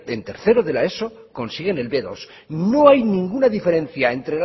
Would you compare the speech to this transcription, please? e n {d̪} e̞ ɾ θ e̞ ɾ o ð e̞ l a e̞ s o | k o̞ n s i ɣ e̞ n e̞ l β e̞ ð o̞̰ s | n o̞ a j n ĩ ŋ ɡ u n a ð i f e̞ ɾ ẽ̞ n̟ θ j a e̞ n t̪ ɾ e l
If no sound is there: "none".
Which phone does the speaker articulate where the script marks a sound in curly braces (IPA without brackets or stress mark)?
t̪